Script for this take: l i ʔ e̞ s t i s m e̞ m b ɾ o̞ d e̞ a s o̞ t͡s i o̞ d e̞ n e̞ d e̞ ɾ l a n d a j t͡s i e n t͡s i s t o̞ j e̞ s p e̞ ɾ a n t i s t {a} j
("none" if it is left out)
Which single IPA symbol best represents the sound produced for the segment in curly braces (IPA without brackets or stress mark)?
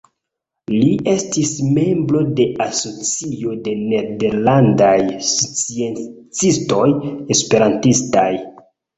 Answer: a